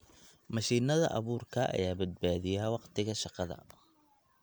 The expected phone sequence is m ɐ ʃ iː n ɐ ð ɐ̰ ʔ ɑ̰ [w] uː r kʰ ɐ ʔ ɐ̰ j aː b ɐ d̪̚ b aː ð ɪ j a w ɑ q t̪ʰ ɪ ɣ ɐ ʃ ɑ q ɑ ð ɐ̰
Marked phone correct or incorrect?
incorrect: β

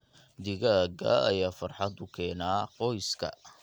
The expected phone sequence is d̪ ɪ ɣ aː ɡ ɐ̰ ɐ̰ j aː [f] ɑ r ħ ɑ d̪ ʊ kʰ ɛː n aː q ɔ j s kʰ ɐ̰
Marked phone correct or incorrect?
correct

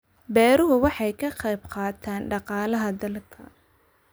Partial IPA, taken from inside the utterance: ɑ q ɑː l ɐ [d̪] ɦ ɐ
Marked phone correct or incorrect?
incorrect: none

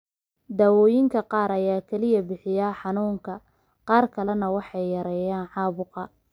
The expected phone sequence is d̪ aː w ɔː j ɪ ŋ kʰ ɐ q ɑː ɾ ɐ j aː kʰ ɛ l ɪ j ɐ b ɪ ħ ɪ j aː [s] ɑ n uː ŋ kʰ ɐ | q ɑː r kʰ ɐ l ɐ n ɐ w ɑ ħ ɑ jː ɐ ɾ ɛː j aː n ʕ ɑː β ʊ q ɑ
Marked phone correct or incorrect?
incorrect: ħ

